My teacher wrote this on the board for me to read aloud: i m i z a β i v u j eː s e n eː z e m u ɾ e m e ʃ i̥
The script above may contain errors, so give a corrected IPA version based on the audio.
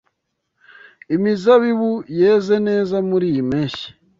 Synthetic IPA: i m i z a β i β u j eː z e n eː z a m u ɾ i m e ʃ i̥